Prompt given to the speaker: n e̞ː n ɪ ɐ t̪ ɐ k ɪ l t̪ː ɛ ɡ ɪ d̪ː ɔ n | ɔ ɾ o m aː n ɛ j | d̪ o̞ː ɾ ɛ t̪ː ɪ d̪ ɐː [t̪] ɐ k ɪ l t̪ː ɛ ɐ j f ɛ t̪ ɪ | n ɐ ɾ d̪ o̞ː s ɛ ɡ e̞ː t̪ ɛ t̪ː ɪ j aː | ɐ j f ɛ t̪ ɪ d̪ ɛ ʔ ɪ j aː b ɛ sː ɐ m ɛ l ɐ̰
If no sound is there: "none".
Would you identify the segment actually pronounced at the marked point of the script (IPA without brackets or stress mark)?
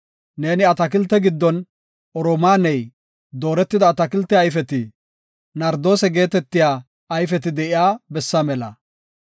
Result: t̪